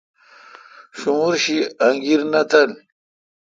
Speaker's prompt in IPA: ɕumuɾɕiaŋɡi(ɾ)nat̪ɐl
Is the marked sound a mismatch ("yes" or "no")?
no